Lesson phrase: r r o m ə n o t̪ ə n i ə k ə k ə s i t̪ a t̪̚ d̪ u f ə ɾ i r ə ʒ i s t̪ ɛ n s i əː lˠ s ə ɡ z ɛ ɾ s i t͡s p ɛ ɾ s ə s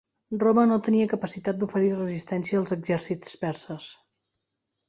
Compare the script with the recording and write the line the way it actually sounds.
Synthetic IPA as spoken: r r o m ə n o t̪ ə n i ə k ə p ə s i t̪ a t̪̚ d̪ u f ə ɾ i r ə z i s t̪ ɛ n s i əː lˠ z ə ɡ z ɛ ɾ s i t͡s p ɛ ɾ s ə s